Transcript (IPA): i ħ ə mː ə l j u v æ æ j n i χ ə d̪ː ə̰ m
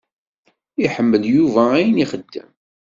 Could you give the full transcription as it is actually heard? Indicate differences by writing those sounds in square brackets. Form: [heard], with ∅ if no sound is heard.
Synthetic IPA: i ħ ə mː ə l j u v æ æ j n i χ ə d̪ː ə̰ m